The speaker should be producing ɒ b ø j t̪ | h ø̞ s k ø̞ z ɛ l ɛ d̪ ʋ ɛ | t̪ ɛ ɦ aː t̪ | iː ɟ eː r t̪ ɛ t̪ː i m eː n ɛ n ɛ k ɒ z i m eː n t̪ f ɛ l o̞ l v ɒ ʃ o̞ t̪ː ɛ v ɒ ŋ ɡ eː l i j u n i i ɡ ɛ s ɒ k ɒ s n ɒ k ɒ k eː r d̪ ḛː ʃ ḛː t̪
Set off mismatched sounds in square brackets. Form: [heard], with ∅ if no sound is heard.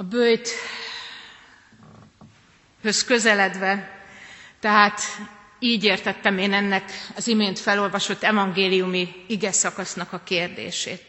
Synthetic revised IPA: ɒ b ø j t̪ | h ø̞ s k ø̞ z ɛ l ɛ d̪ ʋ ɛ | t̪ ɛ ɦ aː t̪ | iː ɟ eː r t̪ ɛ t̪ː [ɛ] m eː n ɛ [nː] ɛ k ɒ z i m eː n t̪ f ɛ l o̞ l v ɒ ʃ o̞ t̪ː ɛ v ɒ ŋ ɡ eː l i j u [m] i i ɡ ɛ s ɒ k ɒ s n ɒ k ɒ k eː r d̪ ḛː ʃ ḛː t̪